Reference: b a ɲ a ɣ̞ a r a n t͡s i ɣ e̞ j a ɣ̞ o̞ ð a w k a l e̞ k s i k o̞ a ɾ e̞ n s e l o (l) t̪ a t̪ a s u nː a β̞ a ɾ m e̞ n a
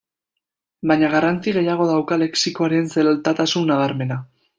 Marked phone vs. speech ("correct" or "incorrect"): correct